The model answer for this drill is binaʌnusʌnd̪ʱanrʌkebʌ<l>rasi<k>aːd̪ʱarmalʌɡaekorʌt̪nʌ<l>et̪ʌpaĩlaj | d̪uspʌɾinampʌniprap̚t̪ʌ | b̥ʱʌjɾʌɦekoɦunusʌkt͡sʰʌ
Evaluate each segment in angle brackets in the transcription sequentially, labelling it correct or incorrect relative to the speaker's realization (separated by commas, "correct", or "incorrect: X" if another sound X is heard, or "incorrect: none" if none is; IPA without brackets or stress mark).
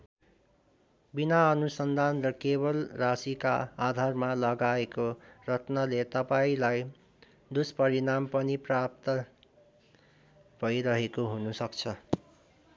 correct, correct, correct